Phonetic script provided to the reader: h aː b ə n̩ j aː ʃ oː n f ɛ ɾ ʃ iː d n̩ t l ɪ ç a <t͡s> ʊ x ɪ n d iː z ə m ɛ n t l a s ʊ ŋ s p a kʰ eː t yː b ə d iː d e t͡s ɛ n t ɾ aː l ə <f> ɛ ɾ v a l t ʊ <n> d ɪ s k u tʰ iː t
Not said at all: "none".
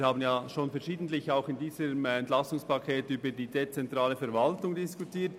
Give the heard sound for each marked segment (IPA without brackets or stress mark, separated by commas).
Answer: none, f, ŋ